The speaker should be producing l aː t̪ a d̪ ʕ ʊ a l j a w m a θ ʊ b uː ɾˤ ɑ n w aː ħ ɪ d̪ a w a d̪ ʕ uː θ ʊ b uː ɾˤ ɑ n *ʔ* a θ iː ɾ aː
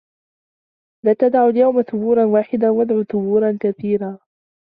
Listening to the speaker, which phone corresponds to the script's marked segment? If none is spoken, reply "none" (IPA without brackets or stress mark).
k